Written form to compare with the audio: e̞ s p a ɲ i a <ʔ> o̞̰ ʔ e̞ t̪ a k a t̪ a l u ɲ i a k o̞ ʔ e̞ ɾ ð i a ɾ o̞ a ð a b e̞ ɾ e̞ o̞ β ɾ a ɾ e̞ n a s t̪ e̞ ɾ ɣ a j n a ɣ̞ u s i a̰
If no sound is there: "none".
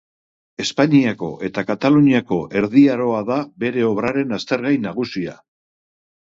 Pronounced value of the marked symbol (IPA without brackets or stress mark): k